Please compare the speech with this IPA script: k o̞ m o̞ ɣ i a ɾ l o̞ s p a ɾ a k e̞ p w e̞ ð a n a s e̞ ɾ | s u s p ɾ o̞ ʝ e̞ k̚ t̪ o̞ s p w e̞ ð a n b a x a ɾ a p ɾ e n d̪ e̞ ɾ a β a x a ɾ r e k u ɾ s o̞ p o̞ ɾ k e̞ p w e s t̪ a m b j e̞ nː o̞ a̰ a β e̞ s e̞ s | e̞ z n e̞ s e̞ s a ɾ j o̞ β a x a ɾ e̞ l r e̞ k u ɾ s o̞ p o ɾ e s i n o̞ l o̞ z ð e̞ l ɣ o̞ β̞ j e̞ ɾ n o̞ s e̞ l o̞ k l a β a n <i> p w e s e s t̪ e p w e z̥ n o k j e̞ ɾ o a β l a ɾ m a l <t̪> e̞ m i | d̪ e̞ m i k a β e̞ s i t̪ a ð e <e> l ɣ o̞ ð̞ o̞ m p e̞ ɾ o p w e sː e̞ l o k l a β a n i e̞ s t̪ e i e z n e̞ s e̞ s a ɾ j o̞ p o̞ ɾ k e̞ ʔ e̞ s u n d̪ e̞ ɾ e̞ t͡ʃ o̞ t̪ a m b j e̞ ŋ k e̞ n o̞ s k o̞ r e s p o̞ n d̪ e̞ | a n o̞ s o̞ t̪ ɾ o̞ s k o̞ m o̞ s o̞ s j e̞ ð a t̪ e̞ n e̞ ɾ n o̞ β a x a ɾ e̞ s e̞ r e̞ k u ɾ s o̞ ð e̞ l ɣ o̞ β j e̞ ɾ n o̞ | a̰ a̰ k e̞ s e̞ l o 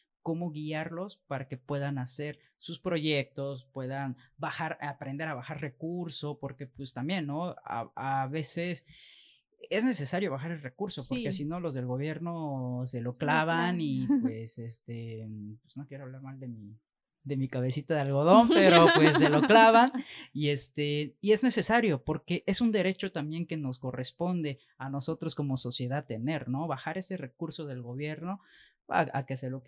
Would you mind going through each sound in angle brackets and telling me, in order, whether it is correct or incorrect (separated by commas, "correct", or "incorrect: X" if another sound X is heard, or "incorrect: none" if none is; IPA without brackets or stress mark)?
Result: correct, incorrect: d̪, incorrect: a